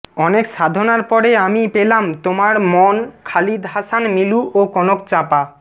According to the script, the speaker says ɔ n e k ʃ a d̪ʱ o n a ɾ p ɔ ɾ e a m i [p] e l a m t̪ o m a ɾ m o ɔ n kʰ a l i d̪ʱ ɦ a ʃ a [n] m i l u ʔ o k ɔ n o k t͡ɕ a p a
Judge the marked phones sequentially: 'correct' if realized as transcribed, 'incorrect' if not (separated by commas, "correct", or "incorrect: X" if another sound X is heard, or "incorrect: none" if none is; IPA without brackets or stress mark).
correct, correct